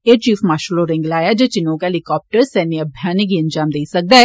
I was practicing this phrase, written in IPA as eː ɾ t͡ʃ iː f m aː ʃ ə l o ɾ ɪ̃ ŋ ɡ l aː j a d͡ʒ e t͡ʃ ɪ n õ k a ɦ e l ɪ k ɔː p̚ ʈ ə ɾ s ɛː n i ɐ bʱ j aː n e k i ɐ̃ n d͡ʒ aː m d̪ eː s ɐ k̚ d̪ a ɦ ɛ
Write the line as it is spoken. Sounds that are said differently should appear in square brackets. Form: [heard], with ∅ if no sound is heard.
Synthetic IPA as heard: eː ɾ t͡ʃ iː f m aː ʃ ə l o ɾ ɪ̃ ŋ ɡ l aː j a d͡ʒ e t͡ʃ ɪ n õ k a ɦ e l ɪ k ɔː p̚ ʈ ə ɾ s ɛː n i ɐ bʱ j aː n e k i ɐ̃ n d͡ʒ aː m d̪ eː s ɐ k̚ d̪ a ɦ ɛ